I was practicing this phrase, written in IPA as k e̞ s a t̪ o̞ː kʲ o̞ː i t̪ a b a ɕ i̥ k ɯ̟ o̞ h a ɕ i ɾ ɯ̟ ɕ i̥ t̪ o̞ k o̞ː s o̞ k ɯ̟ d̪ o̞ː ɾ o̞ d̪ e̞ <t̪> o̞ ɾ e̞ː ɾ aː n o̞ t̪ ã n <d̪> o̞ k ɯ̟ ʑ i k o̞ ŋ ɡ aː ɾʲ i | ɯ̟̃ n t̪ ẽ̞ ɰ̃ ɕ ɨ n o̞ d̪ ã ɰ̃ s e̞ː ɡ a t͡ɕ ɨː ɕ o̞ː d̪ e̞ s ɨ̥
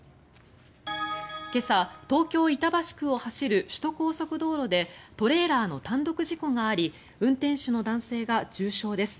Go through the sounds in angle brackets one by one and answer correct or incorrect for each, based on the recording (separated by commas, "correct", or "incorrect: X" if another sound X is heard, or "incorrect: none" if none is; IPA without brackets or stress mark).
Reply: correct, correct